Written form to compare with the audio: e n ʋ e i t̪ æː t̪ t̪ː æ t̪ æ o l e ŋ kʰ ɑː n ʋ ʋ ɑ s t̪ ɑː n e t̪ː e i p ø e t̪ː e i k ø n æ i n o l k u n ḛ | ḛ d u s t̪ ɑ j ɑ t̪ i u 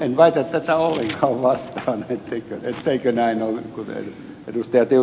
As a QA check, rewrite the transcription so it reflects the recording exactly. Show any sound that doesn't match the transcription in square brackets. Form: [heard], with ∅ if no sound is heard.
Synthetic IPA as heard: e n ʋ [æ] i t̪ [æ] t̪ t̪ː æ t̪ æ o [lː] e ŋ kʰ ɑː [∅] ʋ ʋ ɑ s t̪ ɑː n e t̪ː e i [k] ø e t̪ː e i k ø n æ i n o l k u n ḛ | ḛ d u s t̪ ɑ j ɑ t̪ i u